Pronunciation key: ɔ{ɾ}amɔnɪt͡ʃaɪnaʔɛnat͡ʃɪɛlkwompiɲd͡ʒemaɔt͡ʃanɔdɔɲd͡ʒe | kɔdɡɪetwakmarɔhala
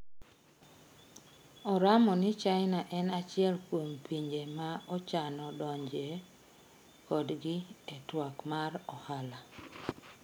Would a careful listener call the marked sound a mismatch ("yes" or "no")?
no